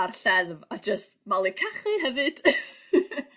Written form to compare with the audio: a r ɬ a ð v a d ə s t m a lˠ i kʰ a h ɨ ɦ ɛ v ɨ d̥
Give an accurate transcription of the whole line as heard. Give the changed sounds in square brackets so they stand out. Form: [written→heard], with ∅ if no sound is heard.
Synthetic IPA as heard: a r ɬ [a→ɛ] ð v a [d→d͡ʒ] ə s t m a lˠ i kʰ a [h→χ] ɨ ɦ ɛ v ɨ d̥

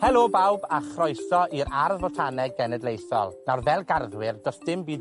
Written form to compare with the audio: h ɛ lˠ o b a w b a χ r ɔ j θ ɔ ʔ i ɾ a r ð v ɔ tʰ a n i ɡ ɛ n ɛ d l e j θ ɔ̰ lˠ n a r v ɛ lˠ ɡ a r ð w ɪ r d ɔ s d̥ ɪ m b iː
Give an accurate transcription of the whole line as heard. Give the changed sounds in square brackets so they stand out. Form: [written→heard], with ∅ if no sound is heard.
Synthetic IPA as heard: h ɛ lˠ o b a w b a χ r ɔ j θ ɔ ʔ i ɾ a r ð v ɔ tʰ a n [i→ɛ] ɡ ɛ n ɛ d l e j θ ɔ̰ lˠ n a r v ɛ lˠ ɡ a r ð w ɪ r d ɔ s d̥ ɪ m b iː

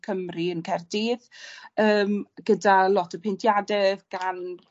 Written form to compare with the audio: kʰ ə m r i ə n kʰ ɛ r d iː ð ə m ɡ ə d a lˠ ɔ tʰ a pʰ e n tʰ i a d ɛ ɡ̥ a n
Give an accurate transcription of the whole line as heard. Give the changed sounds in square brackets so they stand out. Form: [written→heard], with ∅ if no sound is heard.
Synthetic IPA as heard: kʰ ə m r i ə n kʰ ɛ r d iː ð [ə→əː] m ɡ ə d a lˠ ɔ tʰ [a→ə] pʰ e n tʰ [i→j] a d ɛ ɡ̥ a n

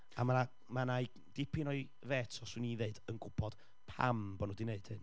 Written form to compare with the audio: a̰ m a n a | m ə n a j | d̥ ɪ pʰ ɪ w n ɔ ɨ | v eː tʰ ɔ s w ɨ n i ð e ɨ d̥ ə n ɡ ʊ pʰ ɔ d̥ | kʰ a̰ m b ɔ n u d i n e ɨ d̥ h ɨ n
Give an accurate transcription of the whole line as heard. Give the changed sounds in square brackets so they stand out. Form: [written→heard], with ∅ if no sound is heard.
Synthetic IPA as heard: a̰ m a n a | m [ə→a] n a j | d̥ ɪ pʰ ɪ [w→∅] n ɔ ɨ | v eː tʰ ɔ s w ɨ n i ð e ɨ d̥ ə n ɡ ʊ pʰ ɔ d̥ | [kʰ→pʰ] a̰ m b ɔ n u d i n e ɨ d̥ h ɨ n

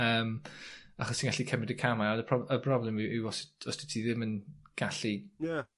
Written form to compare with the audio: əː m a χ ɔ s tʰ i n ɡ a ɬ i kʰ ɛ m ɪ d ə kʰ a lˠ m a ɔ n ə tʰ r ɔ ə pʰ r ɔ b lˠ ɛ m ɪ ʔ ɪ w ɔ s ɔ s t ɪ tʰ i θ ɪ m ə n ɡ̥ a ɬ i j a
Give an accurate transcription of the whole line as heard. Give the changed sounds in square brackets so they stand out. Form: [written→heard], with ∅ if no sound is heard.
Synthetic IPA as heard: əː m a χ ɔ s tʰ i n ɡ a ɬ i kʰ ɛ m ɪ d ə kʰ a [lˠ→∅] m a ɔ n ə [tʰ→pʰ] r ɔ ə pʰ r ɔ b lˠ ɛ m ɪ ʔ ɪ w ɔ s ɔ s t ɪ tʰ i [θ→ð] ɪ m ə n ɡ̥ a ɬ i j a

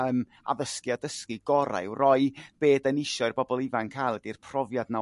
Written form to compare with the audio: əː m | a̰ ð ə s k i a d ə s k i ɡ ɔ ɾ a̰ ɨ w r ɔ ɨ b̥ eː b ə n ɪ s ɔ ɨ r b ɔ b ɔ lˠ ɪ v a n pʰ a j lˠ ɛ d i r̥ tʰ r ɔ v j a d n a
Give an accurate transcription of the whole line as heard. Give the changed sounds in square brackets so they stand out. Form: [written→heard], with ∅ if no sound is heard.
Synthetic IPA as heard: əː m | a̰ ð ə s k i a d ə s k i ɡ ɔ ɾ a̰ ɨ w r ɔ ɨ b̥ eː [b→d] ə n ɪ [s→ʃ] ɔ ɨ r b ɔ b ɔ lˠ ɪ v a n [pʰ→kʰ] a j lˠ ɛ d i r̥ [tʰ→pʰ] r ɔ v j a d n a

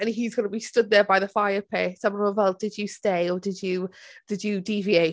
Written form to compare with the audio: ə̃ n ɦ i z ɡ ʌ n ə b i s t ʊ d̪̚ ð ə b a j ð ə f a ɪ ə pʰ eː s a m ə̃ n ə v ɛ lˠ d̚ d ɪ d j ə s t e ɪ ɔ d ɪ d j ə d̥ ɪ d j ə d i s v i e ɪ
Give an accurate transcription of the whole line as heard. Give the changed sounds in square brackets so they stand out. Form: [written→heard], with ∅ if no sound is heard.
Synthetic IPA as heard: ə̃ n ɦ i z ɡ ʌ n ə b i s t ʊ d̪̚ ð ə b a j ð ə f a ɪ ə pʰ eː s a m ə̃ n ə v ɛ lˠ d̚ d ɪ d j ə s t e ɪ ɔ d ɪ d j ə d̥ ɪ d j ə d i [s→∅] v i e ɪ

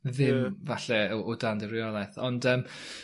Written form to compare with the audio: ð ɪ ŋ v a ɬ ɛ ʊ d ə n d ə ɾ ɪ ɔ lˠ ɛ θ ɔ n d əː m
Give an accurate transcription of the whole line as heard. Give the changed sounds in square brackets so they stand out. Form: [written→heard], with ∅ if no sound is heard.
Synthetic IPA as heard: ð ɪ [ŋ→m] v a ɬ ɛ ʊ d [ə→a] n d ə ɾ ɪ ɔ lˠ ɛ θ ɔ n d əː m

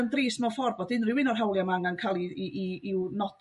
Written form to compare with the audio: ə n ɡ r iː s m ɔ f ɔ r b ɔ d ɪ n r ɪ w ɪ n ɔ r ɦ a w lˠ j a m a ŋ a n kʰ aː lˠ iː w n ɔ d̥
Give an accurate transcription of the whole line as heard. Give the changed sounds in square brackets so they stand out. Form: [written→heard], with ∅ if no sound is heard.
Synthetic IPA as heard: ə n [ɡ→d] r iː s m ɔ f ɔ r b ɔ d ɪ n r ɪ w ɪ n ɔ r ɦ a w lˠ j a m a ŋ a n kʰ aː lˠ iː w n ɔ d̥

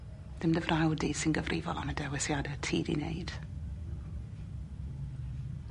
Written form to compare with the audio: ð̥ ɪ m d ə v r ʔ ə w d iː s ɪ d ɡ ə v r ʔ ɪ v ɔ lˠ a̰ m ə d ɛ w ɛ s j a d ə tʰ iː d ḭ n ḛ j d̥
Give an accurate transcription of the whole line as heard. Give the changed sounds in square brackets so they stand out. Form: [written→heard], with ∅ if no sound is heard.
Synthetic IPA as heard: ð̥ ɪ m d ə v r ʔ [ə→a] w d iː s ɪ [d→n] ɡ ə v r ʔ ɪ v ɔ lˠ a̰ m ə d ɛ w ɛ s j a d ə tʰ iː d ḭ n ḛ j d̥

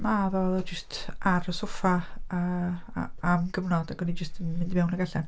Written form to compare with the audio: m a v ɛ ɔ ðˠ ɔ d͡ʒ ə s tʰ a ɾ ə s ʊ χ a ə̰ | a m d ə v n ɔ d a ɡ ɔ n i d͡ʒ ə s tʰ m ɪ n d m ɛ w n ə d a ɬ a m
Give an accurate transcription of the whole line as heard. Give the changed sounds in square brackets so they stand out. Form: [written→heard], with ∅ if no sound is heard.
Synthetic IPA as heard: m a v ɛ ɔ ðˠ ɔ d͡ʒ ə s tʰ a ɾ ə s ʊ [χ→f] a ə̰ | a m [d→ɡ] ə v n ɔ d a ɡ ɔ n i d͡ʒ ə s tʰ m ɪ n d m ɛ w n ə [d→ɡ] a ɬ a [m→n]

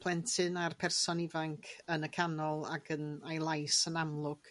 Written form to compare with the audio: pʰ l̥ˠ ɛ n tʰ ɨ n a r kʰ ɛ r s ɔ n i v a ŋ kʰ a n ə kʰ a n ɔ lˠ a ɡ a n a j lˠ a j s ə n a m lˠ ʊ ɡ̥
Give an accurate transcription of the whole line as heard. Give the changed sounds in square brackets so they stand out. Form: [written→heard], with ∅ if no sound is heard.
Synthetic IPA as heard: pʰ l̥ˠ ɛ n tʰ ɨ n a r [kʰ→pʰ] ɛ r s ɔ n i v a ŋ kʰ [a→ə] n ə kʰ a n ɔ lˠ a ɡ [a→ə] n a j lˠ a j s ə n a m lˠ ʊ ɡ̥

